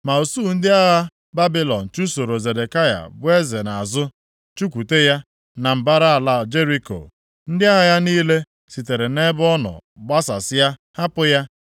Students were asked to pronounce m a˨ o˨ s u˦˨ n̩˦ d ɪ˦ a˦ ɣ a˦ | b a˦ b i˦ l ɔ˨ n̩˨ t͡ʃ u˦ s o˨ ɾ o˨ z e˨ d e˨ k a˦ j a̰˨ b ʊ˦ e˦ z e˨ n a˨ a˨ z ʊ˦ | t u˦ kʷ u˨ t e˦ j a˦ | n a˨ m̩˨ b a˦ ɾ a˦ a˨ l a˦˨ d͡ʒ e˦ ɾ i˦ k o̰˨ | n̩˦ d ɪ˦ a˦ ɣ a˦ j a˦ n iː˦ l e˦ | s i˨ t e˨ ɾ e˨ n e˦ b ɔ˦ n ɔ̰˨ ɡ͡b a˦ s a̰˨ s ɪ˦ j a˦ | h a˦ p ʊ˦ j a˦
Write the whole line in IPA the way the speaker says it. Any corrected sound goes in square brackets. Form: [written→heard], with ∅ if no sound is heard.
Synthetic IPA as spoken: m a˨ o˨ s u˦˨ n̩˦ d ɪ˦ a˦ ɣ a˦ | b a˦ b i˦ l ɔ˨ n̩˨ t͡ʃ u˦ s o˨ ɾ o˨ z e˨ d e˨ k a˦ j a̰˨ b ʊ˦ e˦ z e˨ n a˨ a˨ z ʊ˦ | [t→t͡ʃ] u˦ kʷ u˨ t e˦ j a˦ | n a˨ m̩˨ b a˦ ɾ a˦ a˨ l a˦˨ d͡ʒ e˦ ɾ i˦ k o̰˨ | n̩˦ d ɪ˦ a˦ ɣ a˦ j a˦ n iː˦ l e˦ | s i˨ t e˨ ɾ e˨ n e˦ b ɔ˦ n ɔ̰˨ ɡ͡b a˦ s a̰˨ s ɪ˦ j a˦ | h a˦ p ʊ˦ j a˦